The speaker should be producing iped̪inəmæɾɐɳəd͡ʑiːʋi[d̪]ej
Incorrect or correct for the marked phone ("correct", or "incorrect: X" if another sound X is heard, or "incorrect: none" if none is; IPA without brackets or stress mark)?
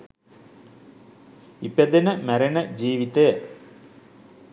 incorrect: t̪